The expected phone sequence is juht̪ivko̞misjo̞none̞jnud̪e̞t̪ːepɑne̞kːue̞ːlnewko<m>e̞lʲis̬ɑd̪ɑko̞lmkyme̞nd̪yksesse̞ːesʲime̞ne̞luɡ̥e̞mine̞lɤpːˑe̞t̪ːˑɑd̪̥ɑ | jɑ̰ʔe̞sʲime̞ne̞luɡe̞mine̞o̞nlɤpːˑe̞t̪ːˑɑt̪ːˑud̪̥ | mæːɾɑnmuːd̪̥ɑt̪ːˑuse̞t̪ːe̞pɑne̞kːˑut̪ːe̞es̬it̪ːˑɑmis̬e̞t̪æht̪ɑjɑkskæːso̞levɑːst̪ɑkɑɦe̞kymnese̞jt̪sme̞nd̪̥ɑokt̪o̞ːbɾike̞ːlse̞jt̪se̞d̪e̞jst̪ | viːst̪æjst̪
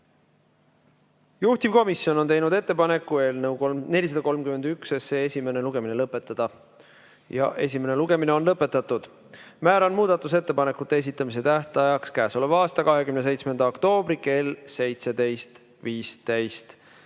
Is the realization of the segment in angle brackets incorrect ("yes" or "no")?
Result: yes